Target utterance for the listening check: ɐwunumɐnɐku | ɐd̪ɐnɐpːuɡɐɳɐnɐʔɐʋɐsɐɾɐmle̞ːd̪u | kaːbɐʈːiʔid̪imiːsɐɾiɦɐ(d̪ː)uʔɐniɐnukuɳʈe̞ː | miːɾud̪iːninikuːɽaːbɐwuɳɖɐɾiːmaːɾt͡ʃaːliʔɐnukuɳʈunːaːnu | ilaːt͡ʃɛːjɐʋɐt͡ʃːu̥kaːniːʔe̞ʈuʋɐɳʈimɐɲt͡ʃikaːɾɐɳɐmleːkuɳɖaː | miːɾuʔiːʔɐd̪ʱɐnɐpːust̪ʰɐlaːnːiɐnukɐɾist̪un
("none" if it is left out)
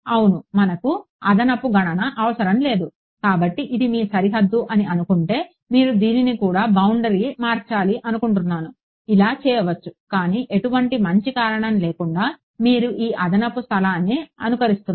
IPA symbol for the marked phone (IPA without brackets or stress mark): d̪ː